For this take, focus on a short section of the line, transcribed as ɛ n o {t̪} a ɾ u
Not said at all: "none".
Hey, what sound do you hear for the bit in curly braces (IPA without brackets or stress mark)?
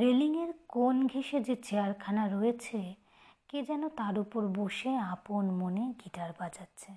t̪